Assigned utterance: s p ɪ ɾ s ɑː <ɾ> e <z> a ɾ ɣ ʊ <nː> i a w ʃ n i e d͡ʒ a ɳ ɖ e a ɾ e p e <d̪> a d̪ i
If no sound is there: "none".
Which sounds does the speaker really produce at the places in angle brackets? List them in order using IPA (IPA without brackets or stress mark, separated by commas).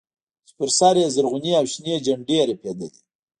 ɾ, z, n, d̪